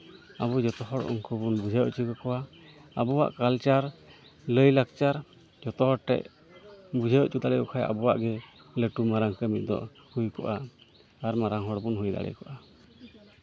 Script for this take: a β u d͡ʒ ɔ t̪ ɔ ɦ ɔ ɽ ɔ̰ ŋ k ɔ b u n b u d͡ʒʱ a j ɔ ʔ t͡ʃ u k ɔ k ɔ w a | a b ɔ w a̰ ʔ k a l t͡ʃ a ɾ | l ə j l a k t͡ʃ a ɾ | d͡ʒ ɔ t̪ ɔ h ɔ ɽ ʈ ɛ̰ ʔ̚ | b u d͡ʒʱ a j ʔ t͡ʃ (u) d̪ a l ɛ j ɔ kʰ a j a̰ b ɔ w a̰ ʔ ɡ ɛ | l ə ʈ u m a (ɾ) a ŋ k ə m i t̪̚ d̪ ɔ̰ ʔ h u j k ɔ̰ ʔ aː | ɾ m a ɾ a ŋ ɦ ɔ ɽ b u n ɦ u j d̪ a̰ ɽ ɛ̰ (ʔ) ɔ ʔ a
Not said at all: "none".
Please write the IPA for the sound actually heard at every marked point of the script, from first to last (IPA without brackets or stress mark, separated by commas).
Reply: u, ɾ, k